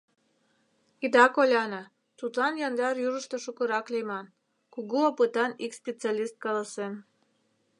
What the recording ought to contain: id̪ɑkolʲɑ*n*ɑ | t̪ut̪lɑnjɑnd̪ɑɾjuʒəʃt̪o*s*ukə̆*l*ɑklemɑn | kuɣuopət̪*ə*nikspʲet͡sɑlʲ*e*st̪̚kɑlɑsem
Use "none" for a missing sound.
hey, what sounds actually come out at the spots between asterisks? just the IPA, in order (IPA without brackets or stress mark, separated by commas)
n, ʃ, ɾ, ɑ, i